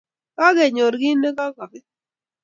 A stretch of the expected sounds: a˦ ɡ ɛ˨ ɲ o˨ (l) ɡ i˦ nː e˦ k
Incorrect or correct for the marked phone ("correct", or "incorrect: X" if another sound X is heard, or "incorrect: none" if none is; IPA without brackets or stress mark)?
incorrect: ɾ